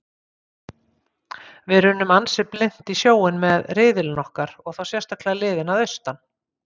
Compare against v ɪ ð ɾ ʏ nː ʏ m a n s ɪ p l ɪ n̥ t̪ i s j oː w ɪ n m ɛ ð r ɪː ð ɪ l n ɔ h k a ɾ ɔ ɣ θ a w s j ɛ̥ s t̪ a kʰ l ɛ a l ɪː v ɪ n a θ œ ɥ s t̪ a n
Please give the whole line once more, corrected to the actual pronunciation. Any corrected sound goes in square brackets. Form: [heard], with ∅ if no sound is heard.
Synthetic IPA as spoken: v ɪ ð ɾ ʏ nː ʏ m a n s ɪ p l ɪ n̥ t̪ i s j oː w ɪ n m ɛ ð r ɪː ð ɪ l n ɔ h k a ɾ ɔ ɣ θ a w s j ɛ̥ s t̪ a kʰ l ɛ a l ɪː [ð] ɪ n a [ð] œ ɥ s t̪ a n